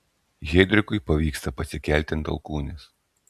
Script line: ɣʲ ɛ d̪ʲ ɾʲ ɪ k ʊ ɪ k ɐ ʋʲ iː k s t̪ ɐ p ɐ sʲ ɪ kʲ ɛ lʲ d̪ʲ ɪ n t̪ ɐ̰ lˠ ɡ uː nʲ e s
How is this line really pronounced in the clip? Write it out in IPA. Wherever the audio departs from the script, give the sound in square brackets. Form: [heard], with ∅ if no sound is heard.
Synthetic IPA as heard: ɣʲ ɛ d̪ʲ ɾʲ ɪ k ʊ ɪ [p] ɐ ʋʲ iː k s t̪ ɐ p ɐ sʲ ɪ kʲ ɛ lʲ [t̪ʲ] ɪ n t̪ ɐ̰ lˠ [k] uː nʲ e s